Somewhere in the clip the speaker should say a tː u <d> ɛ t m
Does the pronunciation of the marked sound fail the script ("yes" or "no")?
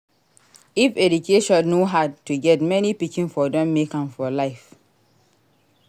yes